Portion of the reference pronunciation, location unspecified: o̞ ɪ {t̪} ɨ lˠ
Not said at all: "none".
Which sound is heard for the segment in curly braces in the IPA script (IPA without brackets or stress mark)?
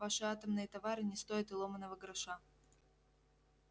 t̪